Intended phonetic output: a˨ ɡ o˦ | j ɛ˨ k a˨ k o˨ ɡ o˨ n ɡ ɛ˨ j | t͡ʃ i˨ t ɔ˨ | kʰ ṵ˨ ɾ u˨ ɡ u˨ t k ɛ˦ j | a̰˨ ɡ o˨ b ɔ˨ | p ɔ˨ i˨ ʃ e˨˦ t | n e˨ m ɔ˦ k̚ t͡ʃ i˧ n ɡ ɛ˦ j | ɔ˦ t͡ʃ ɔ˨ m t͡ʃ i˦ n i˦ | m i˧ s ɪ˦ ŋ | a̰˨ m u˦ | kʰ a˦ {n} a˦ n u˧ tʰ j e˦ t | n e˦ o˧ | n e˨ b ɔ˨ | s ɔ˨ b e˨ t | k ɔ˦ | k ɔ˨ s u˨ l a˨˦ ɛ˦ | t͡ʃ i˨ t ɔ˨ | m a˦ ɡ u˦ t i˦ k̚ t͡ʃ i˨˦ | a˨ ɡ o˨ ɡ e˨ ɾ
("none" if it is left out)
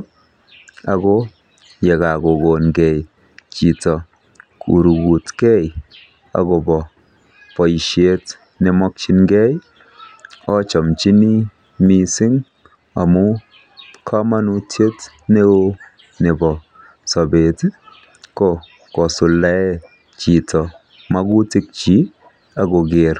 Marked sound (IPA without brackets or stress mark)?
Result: m